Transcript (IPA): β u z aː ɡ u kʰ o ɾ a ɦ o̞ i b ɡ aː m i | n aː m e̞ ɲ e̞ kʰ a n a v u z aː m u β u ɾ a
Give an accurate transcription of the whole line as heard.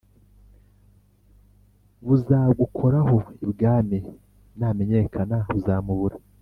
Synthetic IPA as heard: β u z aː ɡ u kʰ o ɾ a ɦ o̞ i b ɡ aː m i | n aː m e̞ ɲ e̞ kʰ a n a β u z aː m u β u ɾ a